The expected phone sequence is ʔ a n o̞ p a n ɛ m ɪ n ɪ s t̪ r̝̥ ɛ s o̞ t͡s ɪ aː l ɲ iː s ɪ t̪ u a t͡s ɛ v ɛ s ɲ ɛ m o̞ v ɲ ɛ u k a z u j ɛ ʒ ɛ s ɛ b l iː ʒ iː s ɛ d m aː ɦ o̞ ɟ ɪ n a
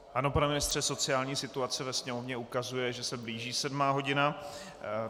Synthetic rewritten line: ʔ a n o̞ p a n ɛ m ɪ n ɪ s t̪ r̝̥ ɛ s o̞ t͡s ɪ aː l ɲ iː s ɪ t̪ u a t͡s ɛ v ɛ s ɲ ɛ m o̞ v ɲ ɛ u k a z u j ɛ ʒ ɛ s ɛ b l iː ʒ iː s ɛ d m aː ɦ o̞ ɟ ɪ n a